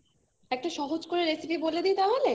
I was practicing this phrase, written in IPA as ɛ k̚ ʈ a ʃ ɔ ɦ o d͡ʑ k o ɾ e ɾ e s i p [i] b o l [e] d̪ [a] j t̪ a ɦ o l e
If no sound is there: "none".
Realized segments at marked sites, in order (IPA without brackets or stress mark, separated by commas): i, e, i